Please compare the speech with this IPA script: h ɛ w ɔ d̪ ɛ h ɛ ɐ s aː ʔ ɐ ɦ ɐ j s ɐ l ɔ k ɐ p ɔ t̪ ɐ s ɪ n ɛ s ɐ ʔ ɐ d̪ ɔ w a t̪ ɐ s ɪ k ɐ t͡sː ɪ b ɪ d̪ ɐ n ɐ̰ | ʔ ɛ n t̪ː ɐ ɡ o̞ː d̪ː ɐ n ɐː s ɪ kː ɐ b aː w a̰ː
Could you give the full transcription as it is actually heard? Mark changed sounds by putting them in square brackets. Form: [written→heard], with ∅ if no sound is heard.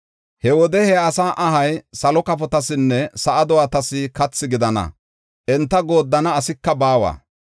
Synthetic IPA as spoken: h ɛ w ɔ d̪ ɛ h ɛ ɐ s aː ʔ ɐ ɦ ɐ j s ɐ l ɔ k ɐ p ɔ t̪ ɐ s ɪ [n→nː] ɛ s ɐ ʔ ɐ d̪ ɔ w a t̪ ɐ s ɪ k ɐ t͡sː ɪ [b→ɡ] ɪ d̪ ɐ n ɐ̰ | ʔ ɛ n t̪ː ɐ ɡ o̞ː d̪ː ɐ n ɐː s ɪ kː ɐ b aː w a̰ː

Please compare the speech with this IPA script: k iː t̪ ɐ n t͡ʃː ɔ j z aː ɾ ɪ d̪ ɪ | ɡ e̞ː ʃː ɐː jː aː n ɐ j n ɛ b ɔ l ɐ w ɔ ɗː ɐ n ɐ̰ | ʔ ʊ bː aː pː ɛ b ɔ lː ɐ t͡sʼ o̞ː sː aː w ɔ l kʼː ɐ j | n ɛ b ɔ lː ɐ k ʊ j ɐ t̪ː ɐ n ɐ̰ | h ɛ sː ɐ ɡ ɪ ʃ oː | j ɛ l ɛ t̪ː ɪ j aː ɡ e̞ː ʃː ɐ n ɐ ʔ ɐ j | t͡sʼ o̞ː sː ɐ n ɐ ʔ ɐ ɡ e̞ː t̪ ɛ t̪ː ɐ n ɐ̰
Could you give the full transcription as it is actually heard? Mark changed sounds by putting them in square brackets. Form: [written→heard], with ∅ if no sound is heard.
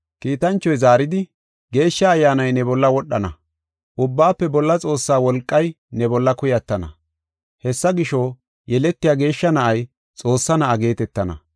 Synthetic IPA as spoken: k iː t̪ ɐ n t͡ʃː ɔ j z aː ɾ ɪ d̪ ɪ | ɡ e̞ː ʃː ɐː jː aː n ɐ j n ɛ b ɔ [l→lː] ɐ w ɔ ɗː ɐ n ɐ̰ | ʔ ʊ bː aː pː ɛ b ɔ lː ɐ t͡sʼ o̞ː sː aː w ɔ l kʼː ɐ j | n ɛ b ɔ lː ɐ k ʊ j ɐ t̪ː ɐ n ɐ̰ | h ɛ sː ɐ ɡ ɪ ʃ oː | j ɛ l ɛ t̪ː ɪ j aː ɡ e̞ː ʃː ɐ n ɐ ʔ ɐ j | t͡sʼ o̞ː sː ɐ n ɐ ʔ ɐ ɡ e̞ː t̪ ɛ t̪ː ɐ n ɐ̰

